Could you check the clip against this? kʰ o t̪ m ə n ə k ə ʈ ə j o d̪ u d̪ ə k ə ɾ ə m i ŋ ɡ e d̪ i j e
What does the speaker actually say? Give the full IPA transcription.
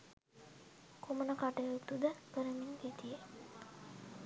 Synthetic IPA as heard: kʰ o m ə n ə k a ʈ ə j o t̪ u d̪ ə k ə ɾ ə m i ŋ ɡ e t̪ i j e